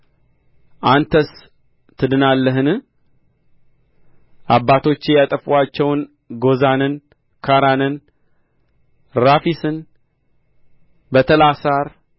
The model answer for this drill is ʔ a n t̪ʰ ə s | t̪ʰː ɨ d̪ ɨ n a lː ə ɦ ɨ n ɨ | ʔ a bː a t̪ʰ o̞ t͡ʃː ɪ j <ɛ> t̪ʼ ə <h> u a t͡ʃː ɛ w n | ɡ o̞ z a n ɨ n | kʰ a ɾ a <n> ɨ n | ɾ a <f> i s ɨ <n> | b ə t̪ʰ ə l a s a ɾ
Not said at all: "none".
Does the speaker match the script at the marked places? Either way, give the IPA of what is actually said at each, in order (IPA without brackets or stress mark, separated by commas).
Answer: a, f, n, f, n